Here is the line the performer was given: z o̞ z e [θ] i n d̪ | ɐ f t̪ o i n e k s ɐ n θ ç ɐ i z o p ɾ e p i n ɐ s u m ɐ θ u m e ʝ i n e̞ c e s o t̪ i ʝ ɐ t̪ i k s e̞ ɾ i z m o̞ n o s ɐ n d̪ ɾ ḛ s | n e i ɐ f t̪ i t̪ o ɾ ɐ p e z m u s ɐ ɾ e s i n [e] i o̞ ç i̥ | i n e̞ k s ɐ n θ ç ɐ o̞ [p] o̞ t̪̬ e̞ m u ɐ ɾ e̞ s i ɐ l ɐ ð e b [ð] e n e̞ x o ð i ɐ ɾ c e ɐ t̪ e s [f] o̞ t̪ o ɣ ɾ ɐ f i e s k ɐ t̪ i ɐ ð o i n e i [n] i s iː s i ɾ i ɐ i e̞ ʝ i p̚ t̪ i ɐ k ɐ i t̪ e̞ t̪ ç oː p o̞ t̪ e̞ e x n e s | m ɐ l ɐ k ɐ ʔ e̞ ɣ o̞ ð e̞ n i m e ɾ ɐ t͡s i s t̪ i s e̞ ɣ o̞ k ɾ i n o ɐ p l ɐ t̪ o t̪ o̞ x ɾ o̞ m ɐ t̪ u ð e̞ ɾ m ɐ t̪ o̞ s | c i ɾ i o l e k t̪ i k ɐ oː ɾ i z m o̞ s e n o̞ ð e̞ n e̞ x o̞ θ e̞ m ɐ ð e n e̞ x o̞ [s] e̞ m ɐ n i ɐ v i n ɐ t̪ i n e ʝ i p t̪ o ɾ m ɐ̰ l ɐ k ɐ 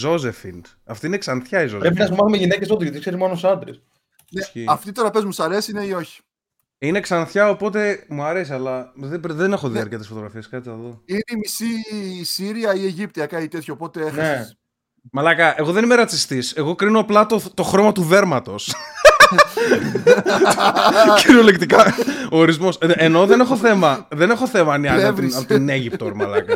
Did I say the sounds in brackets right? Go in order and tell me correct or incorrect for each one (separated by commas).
incorrect, correct, correct, correct, correct, incorrect, incorrect